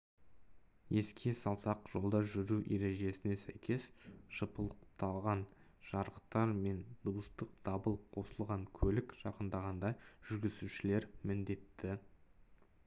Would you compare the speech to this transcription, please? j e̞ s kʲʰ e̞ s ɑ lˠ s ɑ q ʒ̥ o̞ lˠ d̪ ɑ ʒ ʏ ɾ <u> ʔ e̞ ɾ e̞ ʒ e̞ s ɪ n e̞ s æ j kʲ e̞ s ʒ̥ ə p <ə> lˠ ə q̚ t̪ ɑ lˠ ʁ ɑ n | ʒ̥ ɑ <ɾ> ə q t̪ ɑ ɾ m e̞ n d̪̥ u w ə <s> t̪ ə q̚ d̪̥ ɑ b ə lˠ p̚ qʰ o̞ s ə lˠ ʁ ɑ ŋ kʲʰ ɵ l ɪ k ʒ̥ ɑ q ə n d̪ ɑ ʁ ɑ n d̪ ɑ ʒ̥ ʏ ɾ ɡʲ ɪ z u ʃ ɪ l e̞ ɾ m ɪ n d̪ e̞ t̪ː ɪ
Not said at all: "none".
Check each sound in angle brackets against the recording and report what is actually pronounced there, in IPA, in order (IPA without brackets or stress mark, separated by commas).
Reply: u, ə, ɾ, s